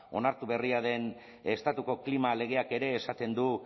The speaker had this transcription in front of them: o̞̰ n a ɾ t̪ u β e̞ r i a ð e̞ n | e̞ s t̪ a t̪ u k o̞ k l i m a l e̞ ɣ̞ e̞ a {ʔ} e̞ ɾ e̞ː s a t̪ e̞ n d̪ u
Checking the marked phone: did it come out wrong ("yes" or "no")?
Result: yes